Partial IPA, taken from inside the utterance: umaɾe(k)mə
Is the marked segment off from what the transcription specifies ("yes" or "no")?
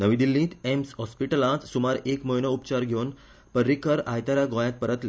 no